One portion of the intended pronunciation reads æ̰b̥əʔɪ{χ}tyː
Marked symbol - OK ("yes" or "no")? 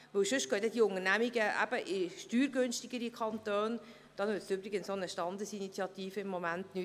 no